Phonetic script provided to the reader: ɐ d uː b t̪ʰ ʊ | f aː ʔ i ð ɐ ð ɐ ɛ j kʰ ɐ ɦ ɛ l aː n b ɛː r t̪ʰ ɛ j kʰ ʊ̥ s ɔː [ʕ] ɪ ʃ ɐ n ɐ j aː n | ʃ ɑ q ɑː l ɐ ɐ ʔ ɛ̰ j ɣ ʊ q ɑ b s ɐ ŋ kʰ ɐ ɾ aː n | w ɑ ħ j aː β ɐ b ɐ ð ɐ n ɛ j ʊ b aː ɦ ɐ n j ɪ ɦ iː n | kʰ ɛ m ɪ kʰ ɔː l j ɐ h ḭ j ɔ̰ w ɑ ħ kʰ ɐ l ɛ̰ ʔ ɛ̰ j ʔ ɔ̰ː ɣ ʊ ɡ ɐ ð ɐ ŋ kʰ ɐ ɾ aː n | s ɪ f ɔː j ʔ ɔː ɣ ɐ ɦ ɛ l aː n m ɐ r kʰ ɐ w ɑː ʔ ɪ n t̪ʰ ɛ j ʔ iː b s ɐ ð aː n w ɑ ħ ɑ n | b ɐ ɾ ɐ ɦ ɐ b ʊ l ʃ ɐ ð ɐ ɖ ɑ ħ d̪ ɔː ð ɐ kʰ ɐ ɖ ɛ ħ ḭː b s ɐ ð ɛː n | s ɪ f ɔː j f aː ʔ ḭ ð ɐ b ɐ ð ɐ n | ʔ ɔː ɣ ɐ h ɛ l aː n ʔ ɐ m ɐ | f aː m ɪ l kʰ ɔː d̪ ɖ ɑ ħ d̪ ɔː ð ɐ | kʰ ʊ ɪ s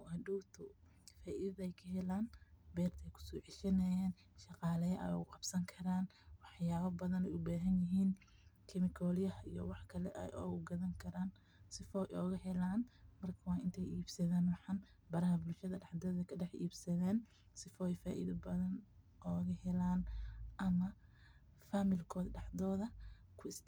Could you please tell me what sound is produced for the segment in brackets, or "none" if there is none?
ʕ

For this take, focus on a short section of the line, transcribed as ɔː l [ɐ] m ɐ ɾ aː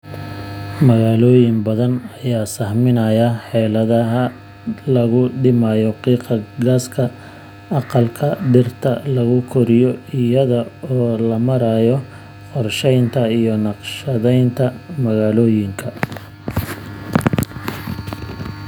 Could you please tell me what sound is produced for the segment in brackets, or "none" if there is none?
ɐ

